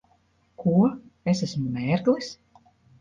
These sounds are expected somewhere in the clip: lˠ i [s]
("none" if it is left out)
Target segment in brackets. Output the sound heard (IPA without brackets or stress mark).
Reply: s